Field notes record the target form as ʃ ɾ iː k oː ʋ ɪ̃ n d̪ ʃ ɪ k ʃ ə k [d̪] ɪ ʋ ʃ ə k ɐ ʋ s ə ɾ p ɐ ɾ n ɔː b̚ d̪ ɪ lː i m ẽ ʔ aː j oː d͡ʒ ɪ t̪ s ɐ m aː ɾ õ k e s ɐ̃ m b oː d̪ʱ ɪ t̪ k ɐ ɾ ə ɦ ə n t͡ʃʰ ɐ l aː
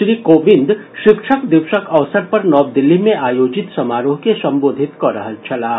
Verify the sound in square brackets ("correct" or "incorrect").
correct